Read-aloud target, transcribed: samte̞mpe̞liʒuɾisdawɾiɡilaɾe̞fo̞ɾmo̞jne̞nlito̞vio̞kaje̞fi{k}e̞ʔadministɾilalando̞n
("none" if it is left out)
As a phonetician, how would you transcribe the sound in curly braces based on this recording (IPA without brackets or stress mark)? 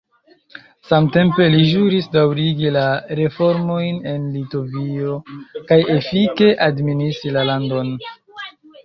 k